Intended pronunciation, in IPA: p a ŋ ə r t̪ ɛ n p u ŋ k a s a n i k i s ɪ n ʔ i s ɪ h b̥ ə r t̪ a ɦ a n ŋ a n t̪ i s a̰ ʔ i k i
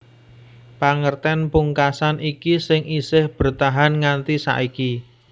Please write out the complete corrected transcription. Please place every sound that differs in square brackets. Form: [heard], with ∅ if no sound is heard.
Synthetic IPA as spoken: p a ŋ ə r t̪ ɛ n p u ŋ k a s a n i k i s ɪ [ŋ] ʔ i s ɪ h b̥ ə r t̪ a ɦ a n ŋ a n t̪ i s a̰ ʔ i k i